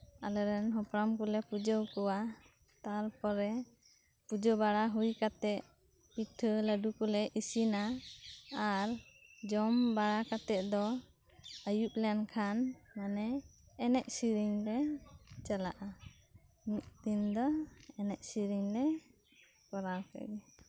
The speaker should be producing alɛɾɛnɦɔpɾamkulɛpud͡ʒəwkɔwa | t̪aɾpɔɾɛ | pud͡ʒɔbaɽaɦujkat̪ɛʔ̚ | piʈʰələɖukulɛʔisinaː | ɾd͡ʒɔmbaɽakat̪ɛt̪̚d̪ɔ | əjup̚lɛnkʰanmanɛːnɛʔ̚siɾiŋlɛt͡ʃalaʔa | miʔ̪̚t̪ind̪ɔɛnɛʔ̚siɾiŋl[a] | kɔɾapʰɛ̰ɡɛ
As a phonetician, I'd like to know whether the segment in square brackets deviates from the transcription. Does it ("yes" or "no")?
yes